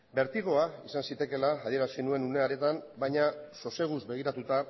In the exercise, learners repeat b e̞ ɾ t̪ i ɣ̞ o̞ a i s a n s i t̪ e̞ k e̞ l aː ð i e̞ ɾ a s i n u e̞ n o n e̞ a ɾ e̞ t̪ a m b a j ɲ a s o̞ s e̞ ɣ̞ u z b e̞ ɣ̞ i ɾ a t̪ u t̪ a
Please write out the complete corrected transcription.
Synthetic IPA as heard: b e̞ ɾ t̪ i ɣ̞ o̞ a i s a n s i t̪ e̞ k e̞ l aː ð i e̞ ɾ a s i n u e̞ n u n e̞ a ɾ e̞ t̪ a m b a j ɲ a s o̞ s e̞ ɣ̞ u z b e̞ ɣ̞ i ɾ a t̪ u t̪ a